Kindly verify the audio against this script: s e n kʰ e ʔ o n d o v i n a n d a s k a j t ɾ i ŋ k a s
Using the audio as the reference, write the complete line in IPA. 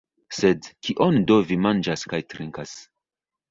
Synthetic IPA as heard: s e d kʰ i ʔ o n d o v i m a n d͡ʒ a s k a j t ɾ i ŋ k a s